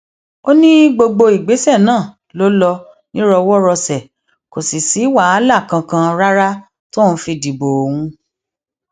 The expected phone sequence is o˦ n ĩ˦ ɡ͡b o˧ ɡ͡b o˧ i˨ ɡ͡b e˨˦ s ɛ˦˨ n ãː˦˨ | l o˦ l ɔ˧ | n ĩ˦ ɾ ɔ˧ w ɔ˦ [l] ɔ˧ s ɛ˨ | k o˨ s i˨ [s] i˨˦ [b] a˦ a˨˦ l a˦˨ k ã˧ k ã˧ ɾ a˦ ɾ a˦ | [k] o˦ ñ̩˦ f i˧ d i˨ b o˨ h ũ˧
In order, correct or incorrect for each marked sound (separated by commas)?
incorrect, correct, incorrect, incorrect